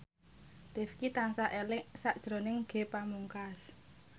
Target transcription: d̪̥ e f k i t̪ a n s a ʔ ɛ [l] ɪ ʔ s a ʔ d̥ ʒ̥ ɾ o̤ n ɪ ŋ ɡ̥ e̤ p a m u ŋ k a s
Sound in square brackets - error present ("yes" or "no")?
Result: no